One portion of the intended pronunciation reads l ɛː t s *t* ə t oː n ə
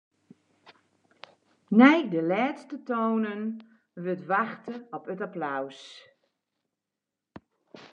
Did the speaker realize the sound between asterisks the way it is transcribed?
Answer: yes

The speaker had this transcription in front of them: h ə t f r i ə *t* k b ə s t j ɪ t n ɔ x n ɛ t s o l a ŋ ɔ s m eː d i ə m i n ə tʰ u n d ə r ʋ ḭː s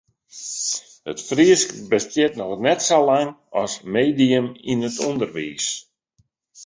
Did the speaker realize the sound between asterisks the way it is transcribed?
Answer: no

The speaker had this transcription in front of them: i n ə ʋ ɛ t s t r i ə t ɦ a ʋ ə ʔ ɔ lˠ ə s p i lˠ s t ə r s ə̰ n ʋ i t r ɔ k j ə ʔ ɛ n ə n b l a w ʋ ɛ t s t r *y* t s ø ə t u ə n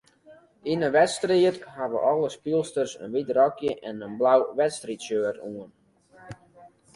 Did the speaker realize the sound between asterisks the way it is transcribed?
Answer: no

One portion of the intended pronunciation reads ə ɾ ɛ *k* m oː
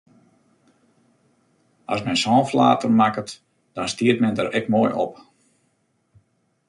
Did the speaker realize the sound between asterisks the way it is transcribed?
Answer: yes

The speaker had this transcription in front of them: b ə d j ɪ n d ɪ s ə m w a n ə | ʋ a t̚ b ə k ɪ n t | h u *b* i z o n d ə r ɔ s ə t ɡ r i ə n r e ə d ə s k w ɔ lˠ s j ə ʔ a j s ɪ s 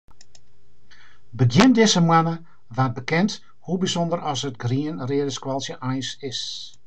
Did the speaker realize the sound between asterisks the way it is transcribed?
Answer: yes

